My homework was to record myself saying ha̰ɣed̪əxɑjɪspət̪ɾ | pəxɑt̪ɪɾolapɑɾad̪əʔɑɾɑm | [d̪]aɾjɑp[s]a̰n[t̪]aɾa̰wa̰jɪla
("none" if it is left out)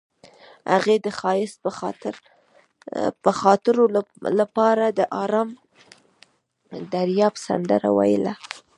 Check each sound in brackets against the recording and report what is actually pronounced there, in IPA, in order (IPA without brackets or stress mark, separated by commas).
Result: d̪, s, d̪